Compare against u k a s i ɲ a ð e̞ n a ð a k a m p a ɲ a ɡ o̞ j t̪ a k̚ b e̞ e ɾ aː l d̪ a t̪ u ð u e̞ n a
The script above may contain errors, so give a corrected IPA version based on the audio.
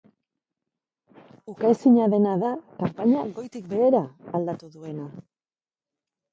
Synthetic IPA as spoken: u k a s i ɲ a ð e̞ n a ð a k a m p a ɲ a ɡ o̞ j t̪ i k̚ b e̞ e ɾ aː l d̪ a t̪ u ð u e̞ n a